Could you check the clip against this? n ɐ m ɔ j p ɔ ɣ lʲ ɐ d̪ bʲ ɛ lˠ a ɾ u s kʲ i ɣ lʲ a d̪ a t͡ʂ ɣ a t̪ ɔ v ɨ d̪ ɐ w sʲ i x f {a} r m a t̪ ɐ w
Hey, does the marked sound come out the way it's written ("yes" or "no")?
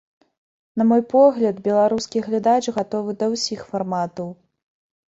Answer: yes